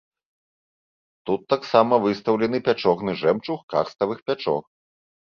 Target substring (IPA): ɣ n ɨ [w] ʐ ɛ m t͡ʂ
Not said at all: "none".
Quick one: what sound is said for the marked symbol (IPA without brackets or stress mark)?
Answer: none